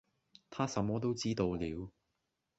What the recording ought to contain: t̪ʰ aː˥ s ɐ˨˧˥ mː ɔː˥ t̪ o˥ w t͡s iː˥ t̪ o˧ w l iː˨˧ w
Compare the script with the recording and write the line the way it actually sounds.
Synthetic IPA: t̪ʰ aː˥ s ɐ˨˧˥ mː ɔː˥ t̪ o˥ w t͡s iː˥ t̪ o˧ w l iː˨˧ w